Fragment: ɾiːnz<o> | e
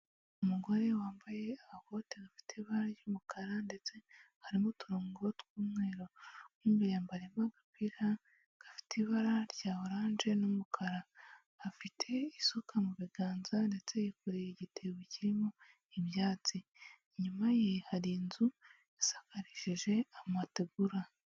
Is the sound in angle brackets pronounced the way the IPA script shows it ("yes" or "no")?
no